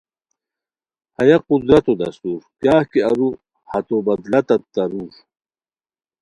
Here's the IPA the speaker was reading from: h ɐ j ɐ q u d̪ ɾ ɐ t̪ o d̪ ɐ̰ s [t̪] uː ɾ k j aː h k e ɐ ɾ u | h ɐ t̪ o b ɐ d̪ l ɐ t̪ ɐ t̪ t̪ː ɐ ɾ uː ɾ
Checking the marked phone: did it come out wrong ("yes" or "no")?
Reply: no